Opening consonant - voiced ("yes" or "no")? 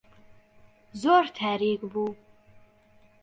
yes